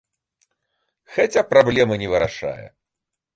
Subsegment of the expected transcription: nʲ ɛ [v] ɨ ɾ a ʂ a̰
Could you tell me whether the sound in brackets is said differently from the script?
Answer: no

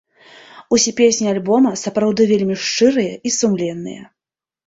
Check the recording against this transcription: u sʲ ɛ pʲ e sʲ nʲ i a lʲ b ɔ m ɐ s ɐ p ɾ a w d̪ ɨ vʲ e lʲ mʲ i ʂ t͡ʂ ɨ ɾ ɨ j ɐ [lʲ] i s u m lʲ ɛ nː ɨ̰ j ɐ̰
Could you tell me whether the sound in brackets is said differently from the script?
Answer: yes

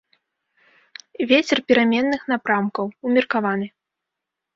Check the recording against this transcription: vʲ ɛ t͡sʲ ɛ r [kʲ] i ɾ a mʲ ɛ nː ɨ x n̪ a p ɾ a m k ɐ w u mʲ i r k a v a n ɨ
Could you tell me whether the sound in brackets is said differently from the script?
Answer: yes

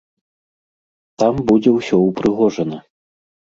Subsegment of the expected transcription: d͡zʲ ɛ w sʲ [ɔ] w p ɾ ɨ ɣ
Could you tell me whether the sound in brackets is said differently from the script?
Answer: no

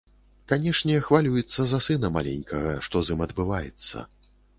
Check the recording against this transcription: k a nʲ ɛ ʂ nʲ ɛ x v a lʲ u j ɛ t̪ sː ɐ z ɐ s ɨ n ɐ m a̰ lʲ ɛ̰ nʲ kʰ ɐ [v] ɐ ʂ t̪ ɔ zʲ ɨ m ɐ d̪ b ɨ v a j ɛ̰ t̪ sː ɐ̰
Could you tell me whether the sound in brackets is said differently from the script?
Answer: yes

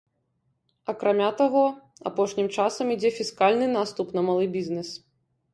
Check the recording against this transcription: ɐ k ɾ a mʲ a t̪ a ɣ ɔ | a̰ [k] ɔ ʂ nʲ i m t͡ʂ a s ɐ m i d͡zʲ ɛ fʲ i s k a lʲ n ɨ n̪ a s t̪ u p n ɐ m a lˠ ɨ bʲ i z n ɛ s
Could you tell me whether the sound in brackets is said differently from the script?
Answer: yes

